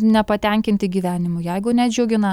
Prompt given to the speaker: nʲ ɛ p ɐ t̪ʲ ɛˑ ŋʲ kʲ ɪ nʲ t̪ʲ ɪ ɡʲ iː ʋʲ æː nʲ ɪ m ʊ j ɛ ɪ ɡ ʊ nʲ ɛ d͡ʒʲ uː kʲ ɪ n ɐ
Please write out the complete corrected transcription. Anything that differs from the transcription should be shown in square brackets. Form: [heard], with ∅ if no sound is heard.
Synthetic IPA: nʲ ɛ p ɐ t̪ʲ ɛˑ ŋʲ kʲ ɪ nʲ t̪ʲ ɪ ɡʲ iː ʋʲ æː nʲ ɪ m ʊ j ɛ ɪ ɡ ʊ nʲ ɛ d͡ʒʲ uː [ɡʲ] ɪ n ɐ

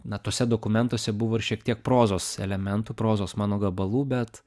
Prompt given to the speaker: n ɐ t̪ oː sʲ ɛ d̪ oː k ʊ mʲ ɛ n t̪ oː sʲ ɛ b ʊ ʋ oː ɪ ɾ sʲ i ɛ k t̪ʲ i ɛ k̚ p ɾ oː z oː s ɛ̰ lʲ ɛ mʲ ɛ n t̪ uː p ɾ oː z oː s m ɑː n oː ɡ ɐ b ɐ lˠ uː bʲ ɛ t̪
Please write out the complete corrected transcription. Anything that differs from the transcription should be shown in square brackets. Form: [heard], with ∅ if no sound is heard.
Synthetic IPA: n ɐ t̪ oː sʲ ɛ d̪ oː k ʊ mʲ ɛ n t̪ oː sʲ ɛ b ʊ ʋ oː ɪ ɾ [ʃʲ] i ɛ k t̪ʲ i ɛ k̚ p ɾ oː z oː s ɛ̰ lʲ ɛ mʲ ɛ n t̪ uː p ɾ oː z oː s m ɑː n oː ɡ ɐ b ɐ lˠ uː bʲ ɛ t̪

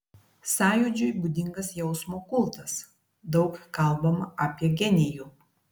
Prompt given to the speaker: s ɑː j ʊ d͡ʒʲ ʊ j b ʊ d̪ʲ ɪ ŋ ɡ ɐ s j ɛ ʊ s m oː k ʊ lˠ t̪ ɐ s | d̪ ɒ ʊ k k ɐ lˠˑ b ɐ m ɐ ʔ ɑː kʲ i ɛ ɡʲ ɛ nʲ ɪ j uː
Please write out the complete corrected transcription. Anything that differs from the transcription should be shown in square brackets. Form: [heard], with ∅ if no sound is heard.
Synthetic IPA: s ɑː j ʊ d͡ʒʲ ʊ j b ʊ d̪ʲ ɪ ŋ ɡ ɐ s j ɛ ʊ s m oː k ʊ lˠ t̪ ɐ s | d̪ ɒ ʊ k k ɐ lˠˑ b ɐ m ɐ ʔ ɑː [pʲ] i ɛ ɡʲ ɛ nʲ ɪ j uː

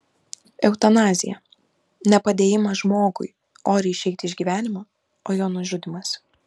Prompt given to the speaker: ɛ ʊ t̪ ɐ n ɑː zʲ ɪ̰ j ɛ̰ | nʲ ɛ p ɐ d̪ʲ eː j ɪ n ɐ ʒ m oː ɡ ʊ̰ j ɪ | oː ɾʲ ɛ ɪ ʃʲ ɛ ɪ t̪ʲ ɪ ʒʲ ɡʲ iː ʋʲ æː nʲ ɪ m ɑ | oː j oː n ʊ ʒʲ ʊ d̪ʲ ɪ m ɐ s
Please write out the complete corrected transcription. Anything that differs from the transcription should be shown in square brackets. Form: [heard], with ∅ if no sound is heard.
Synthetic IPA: ɛ ʊ t̪ ɐ n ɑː zʲ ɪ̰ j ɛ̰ | nʲ ɛ p ɐ d̪ʲ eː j ɪ [m] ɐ ʒ m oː ɡ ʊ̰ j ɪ | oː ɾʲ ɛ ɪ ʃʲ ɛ ɪ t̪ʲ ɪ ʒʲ ɡʲ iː ʋʲ æː nʲ ɪ m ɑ | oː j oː n ʊ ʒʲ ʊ d̪ʲ ɪ m ɐ s

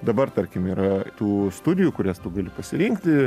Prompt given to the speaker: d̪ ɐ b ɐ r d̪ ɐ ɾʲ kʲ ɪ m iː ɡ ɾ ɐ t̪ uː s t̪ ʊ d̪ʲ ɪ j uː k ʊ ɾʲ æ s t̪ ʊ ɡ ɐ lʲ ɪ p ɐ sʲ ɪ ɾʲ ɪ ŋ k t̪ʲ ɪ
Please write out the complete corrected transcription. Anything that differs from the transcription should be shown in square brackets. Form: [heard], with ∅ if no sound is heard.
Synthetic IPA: d̪ ɐ b ɐ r [t̪] ɐ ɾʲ kʲ ɪ m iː [∅] ɾ ɐ t̪ uː s t̪ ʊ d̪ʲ ɪ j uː k ʊ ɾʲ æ s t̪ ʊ ɡ ɐ lʲ ɪ p ɐ sʲ ɪ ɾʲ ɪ ŋ k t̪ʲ ɪ

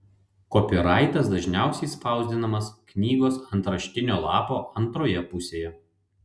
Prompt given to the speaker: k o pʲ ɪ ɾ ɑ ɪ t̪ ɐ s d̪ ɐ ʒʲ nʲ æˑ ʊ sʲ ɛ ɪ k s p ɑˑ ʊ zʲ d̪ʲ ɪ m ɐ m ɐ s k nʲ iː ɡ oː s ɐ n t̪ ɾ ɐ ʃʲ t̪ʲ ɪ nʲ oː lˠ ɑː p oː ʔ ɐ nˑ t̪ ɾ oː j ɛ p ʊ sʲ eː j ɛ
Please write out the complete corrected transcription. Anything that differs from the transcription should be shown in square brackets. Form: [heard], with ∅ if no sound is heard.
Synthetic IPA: k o pʲ ɪ ɾ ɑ ɪ t̪ ɐ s d̪ ɐ ʒʲ nʲ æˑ ʊ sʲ ɛ ɪ [∅] s p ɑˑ ʊ zʲ d̪ʲ ɪ [n] ɐ m ɐ s k nʲ iː ɡ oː s ɐ n t̪ ɾ ɐ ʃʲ t̪ʲ ɪ nʲ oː lˠ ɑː p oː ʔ ɐ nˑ t̪ ɾ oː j ɛ p ʊ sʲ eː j ɛ

